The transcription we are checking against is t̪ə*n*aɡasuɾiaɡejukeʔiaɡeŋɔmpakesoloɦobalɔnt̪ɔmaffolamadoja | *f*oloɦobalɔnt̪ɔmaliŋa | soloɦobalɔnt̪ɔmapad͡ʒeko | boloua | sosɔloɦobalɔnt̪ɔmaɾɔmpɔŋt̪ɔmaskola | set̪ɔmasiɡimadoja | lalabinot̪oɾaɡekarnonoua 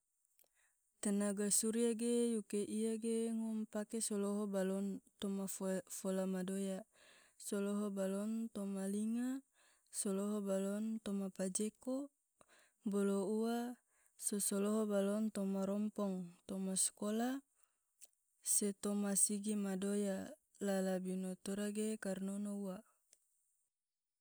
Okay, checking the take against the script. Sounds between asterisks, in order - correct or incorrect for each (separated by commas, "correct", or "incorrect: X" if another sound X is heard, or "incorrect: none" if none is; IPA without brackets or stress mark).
correct, incorrect: s